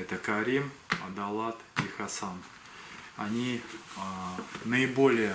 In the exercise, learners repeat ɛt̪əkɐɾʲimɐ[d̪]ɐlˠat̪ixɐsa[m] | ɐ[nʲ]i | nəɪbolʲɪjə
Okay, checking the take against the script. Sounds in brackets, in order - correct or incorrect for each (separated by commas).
correct, incorrect, correct